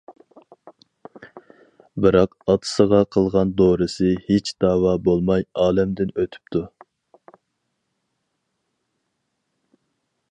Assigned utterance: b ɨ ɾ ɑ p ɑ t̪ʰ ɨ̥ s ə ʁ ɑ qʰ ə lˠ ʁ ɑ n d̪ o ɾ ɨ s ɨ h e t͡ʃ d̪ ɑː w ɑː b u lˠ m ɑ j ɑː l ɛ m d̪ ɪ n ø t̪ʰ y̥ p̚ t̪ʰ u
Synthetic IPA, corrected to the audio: b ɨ ɾ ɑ q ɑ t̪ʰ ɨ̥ s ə ʁ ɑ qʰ ə lˠ ʁ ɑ n d̪ o ɾ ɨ s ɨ h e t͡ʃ d̪ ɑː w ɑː b o lˠ m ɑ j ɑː l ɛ m d̪ ɪ n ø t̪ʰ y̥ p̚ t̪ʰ u